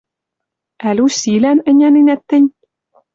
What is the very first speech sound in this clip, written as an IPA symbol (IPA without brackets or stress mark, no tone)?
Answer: æ